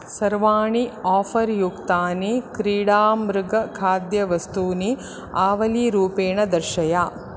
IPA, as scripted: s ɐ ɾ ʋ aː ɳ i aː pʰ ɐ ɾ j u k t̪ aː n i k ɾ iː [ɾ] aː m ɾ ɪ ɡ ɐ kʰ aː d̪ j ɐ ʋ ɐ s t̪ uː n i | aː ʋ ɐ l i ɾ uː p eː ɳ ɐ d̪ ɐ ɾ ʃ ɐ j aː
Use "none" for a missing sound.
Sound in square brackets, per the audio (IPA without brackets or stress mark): ɽ